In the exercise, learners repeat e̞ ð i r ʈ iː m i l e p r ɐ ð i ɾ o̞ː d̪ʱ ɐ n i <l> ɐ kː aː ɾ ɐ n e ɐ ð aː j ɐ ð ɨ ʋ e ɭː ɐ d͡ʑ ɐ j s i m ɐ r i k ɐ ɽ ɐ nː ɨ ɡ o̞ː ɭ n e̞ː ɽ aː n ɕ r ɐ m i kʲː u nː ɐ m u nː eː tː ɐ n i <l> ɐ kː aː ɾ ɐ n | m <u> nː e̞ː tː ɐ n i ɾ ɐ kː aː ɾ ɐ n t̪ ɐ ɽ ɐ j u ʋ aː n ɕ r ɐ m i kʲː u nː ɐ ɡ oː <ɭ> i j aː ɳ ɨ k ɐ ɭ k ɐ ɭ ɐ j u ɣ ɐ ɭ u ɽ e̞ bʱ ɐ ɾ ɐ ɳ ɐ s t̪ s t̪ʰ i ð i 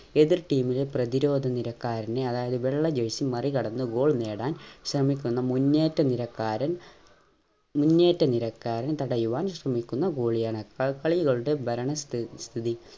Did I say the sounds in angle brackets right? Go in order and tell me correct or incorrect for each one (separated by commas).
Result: incorrect, incorrect, correct, correct